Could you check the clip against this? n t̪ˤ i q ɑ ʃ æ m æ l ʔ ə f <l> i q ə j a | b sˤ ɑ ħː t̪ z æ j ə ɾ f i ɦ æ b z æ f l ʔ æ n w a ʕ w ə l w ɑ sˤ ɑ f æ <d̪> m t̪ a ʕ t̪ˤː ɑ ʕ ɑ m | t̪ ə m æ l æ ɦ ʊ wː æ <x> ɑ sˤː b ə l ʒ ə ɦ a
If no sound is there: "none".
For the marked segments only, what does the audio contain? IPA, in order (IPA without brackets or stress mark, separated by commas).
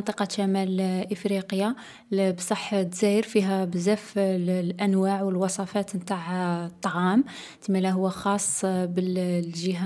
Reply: ɾ, t̪, x